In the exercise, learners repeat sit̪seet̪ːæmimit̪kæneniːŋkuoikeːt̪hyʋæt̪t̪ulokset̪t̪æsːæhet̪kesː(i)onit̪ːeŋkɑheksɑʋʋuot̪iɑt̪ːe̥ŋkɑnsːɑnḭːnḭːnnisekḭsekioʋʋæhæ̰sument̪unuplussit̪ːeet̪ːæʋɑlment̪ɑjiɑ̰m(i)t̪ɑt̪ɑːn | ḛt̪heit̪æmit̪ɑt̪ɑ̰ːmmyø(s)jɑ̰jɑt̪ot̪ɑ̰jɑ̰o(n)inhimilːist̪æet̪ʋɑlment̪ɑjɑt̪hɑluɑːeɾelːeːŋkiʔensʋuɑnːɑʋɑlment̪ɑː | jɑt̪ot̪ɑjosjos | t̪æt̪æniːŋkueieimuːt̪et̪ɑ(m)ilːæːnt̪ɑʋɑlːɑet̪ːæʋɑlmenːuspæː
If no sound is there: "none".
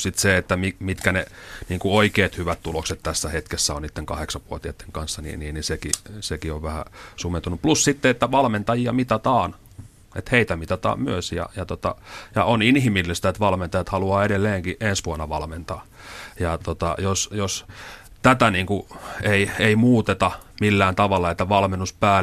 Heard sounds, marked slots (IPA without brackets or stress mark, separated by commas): æ, i, s, n, m